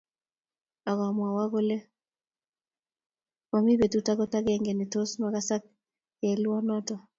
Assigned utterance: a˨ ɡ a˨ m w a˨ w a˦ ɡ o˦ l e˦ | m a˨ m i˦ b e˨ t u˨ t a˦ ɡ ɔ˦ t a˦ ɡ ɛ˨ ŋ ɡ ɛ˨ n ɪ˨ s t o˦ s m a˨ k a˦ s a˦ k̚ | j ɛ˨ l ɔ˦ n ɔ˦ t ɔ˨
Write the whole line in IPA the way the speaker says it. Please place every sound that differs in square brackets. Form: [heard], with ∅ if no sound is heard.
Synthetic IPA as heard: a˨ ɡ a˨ m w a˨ w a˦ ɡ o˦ l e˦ | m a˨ m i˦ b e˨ t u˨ t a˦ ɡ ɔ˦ t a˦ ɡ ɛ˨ ŋ ɡ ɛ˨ n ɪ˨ [∅] t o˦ s m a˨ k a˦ s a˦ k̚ | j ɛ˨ l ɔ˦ n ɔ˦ t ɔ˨